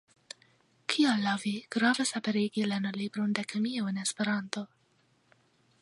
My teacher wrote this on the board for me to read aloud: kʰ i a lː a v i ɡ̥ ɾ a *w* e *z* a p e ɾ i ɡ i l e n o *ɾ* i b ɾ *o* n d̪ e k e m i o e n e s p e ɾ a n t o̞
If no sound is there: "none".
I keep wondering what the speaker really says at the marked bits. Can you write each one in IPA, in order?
v, s, l, o

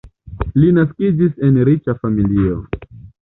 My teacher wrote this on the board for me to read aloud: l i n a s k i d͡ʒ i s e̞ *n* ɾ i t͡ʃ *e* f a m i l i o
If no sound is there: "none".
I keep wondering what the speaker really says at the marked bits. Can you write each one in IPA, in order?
n, a

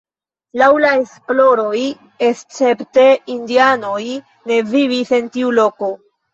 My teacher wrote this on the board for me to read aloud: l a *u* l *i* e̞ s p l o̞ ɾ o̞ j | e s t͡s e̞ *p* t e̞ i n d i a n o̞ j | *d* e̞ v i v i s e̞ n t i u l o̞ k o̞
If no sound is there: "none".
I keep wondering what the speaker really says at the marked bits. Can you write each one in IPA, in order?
w, a, p, n

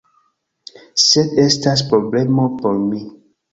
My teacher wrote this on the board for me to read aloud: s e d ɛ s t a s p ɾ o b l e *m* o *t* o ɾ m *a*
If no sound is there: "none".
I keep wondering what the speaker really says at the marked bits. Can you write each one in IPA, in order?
m, p, i

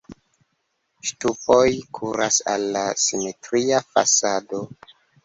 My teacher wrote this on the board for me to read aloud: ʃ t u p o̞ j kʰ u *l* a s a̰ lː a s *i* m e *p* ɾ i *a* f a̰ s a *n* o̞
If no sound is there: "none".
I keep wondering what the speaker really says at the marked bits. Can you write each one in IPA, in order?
ɾ, i, t, a, d

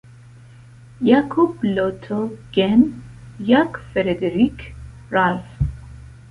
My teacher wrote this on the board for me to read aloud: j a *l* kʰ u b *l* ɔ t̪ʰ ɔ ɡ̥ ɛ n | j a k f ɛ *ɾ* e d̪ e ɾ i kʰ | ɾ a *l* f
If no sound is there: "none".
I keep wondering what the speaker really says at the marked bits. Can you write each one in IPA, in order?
none, l, ɾ, l

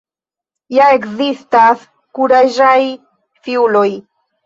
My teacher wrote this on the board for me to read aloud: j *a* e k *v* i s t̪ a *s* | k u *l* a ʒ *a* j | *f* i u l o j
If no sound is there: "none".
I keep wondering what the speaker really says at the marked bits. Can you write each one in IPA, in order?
a, z, s, ɾ, a, f

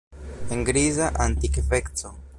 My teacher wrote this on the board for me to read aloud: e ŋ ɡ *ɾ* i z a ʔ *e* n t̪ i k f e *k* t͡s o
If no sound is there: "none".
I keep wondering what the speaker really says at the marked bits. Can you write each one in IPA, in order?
ɾ, a, k

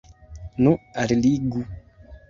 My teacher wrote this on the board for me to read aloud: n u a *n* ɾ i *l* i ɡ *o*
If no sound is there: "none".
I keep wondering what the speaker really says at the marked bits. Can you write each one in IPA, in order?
none, l, u

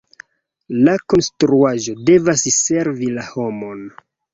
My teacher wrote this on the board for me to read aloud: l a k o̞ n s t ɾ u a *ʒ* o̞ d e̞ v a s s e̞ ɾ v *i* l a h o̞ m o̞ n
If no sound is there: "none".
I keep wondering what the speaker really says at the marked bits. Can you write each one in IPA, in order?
ʒ, i

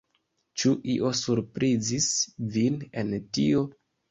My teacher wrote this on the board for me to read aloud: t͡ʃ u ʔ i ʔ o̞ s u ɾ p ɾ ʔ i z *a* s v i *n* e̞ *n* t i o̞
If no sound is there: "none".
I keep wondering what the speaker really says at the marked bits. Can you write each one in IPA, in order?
i, n, n

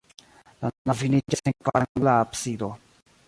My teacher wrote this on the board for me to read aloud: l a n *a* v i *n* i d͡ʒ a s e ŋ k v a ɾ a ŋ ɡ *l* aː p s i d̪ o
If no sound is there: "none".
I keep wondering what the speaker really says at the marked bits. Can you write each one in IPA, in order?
a, n, l

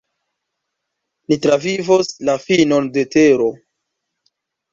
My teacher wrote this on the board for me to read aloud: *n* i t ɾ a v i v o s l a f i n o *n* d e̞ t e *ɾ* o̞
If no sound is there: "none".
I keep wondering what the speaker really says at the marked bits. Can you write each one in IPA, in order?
n, n, ɾ

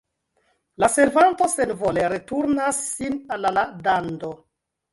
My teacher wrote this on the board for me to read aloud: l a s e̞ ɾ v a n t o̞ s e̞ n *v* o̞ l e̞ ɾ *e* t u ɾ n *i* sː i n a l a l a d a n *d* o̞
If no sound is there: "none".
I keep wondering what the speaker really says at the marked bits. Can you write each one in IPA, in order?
v, e, a, d

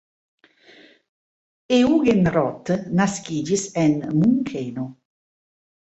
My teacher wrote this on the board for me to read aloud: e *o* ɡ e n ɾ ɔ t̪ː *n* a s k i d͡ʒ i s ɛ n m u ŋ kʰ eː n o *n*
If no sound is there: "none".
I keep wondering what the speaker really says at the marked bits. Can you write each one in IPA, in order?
u, n, none

